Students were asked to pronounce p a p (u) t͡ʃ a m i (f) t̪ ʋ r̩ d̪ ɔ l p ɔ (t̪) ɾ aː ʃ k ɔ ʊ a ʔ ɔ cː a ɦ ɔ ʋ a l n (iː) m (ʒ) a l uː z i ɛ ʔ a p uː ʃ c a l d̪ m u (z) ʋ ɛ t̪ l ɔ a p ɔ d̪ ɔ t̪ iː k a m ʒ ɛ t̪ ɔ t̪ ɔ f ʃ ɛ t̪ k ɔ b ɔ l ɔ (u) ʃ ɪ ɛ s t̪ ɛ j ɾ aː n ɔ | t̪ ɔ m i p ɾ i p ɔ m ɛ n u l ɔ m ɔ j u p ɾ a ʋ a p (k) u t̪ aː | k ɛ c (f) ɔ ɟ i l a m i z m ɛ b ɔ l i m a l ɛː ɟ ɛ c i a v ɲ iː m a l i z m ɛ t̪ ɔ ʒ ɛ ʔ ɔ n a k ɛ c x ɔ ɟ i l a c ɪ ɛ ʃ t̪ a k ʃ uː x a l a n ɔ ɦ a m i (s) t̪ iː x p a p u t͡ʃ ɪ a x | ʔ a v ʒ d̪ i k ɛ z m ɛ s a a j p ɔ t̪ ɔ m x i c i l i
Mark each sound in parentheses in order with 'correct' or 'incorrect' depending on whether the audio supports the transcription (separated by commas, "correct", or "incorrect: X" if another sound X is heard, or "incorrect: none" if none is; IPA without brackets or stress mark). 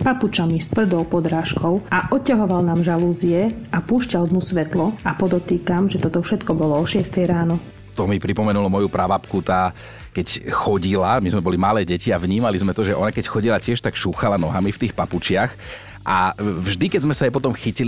correct, incorrect: s, incorrect: d̪, incorrect: aː, correct, incorrect: s, incorrect: ɔ, correct, incorrect: x, incorrect: f